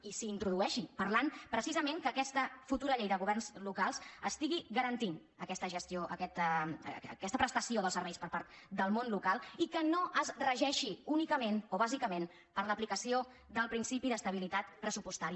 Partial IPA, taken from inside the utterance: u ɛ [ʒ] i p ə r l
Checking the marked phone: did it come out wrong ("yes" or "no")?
yes